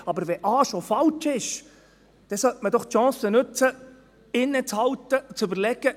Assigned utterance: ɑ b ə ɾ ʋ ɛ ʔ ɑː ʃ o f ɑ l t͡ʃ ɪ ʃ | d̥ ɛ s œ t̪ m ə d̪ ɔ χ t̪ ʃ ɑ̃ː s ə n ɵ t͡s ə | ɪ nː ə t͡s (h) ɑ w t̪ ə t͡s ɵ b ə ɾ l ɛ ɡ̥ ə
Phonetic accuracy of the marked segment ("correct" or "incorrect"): correct